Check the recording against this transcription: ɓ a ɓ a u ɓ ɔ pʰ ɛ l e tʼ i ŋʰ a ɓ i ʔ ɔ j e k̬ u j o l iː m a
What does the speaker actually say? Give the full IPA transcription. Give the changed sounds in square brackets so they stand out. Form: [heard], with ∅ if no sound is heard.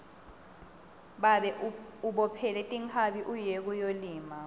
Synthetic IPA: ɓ a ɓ [ɛ] u ɓ ɔ pʰ ɛ l [ɛ] tʼ i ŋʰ a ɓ i ʔ [u] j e k̬ u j o l iː m a